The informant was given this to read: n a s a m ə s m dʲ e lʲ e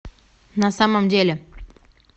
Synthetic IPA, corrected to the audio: n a s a m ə m dʲ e lʲ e